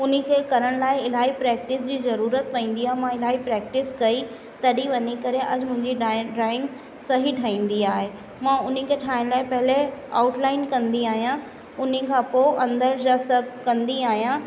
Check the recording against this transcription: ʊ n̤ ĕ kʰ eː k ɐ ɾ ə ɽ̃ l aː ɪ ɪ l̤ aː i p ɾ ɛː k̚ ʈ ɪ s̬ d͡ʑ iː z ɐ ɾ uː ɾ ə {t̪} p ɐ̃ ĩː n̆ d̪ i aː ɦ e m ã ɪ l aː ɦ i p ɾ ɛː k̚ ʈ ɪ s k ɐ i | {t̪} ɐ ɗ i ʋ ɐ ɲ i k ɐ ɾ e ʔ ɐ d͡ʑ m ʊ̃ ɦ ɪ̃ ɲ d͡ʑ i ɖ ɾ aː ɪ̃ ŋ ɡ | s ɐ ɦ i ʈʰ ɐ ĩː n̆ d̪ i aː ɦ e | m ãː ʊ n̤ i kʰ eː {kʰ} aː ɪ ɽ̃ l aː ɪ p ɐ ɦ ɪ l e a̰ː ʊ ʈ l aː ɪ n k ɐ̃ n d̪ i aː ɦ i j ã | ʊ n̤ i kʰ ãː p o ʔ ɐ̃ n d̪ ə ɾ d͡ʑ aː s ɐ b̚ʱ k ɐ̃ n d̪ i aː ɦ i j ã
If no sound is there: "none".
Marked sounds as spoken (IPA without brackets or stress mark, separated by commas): t̪, t̪, ʈʰ